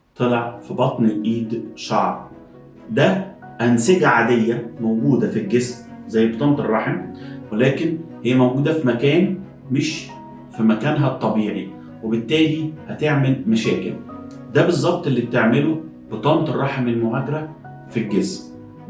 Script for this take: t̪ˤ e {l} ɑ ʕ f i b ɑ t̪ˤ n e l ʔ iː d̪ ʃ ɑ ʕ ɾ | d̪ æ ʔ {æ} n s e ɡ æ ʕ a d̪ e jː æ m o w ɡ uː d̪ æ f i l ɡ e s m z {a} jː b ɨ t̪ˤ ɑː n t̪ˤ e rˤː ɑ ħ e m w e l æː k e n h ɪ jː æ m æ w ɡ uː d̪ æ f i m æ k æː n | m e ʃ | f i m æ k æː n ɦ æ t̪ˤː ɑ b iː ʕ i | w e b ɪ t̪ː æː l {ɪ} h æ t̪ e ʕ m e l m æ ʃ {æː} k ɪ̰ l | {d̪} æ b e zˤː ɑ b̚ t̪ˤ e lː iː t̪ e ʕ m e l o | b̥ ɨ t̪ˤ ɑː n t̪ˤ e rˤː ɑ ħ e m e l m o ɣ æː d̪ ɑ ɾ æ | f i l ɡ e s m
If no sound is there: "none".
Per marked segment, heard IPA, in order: l, æ, æ, i, æː, d̪

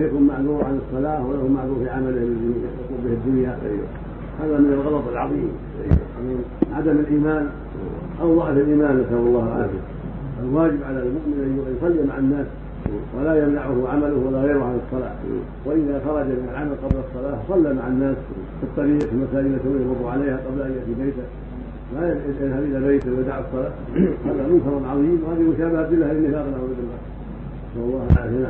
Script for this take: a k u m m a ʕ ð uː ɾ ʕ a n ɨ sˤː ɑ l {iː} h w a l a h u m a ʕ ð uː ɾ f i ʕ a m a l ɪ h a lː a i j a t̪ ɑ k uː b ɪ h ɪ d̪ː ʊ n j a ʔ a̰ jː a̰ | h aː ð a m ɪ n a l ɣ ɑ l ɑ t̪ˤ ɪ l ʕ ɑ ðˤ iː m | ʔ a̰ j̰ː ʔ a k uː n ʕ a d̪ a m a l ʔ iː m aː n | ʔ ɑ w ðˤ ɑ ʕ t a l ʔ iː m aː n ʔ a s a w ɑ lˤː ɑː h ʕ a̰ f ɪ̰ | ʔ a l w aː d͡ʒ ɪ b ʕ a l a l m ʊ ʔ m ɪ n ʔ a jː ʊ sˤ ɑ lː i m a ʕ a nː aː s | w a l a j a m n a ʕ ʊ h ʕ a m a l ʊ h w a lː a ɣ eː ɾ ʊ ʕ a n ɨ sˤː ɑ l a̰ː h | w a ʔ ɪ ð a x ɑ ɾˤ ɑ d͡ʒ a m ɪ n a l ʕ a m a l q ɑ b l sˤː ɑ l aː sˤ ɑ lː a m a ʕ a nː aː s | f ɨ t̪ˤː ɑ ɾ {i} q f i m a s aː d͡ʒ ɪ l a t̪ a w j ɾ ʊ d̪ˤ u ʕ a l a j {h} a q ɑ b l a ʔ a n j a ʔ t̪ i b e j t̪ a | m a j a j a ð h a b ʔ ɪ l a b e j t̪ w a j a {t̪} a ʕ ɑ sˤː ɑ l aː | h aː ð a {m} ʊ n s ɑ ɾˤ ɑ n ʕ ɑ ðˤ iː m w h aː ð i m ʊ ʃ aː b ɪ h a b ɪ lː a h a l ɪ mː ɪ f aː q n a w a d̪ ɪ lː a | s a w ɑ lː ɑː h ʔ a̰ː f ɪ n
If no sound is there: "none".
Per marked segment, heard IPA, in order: aː, iː, h, d̪, m

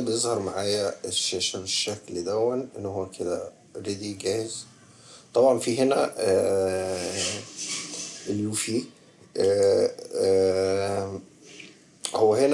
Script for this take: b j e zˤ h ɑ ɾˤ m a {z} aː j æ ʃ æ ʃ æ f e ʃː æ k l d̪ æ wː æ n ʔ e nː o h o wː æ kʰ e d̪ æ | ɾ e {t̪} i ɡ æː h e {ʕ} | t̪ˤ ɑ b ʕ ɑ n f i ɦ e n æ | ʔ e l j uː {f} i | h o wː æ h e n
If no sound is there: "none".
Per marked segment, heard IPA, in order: ʕ, d̪, z, f

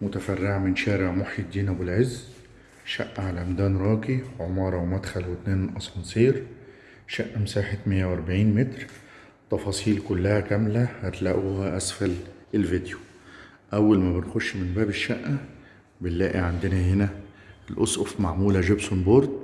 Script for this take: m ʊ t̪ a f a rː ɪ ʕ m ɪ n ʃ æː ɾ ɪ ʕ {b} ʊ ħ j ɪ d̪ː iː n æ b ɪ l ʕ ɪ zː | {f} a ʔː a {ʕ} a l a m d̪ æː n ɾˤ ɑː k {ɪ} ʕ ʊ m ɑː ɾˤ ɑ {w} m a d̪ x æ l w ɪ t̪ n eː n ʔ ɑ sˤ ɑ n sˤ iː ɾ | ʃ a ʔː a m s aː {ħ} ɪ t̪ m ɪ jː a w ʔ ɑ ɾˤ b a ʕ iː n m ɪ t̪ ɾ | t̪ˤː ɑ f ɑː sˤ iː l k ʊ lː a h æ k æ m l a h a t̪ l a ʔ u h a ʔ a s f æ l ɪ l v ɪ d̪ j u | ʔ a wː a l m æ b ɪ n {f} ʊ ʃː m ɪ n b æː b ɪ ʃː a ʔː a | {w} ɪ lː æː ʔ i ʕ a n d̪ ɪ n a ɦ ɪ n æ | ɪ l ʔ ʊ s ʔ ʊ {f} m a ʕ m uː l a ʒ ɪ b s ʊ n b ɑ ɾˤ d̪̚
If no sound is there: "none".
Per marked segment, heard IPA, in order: m, ʃ, ʕ, i, w, ħ, x, b, f

